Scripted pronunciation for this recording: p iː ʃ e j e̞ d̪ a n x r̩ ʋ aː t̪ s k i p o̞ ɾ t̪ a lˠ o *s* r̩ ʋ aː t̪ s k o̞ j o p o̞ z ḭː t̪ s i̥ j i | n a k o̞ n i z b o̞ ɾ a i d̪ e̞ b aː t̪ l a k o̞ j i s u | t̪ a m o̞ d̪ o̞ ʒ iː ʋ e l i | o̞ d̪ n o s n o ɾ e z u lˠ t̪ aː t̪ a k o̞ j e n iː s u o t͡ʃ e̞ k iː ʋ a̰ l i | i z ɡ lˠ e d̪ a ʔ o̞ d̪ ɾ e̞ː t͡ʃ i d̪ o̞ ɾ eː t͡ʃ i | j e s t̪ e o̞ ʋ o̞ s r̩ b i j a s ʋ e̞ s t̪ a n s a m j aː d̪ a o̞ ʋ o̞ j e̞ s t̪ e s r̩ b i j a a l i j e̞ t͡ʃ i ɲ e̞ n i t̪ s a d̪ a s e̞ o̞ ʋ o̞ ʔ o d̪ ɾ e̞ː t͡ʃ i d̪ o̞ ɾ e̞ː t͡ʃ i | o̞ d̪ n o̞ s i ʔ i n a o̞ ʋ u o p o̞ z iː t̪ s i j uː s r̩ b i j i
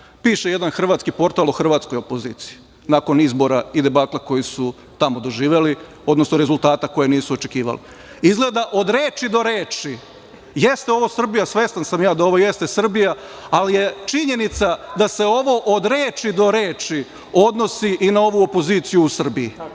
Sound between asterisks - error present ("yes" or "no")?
yes